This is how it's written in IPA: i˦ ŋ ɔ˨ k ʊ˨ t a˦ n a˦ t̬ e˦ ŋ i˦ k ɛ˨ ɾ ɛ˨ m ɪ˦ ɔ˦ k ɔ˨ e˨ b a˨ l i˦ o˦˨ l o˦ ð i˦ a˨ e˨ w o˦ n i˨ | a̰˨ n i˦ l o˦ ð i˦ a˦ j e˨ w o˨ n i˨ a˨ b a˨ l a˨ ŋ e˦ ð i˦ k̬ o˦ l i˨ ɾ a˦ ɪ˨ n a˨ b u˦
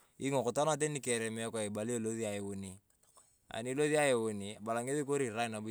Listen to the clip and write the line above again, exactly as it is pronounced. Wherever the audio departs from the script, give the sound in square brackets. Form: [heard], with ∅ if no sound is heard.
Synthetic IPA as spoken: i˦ ŋ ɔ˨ k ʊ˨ t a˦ n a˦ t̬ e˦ [n] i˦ k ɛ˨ ɾ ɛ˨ m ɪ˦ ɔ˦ k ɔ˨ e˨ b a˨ l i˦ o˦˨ l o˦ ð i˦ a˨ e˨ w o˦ n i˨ | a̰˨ n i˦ l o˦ ð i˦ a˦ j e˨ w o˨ n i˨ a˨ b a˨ l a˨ ŋ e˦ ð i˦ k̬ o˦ [ɾ] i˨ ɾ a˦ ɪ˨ n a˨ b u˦